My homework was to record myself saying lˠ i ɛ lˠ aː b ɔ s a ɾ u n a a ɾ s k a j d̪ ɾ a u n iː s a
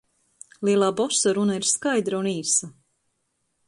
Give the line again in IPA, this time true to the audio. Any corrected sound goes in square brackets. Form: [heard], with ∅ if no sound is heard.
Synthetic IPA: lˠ i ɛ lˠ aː b ɔ s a ɾ u n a [i] ɾ s k a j d̪ ɾ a u n iː s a